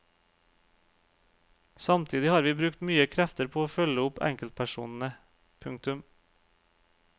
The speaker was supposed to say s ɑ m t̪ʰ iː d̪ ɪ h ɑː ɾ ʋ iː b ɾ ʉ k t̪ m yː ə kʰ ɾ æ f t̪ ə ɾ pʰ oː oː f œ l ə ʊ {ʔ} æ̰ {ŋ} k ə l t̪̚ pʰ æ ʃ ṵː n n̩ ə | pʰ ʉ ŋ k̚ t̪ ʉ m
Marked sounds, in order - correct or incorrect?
incorrect: p, correct

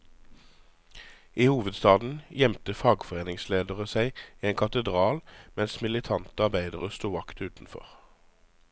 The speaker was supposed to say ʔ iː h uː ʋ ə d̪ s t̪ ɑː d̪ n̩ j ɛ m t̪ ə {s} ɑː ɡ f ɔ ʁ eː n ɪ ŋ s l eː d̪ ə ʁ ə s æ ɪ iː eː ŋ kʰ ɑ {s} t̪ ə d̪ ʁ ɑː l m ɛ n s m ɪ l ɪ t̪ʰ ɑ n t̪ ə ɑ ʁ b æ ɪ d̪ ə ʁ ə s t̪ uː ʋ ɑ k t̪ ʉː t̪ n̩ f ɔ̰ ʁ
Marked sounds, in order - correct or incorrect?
incorrect: f, incorrect: none

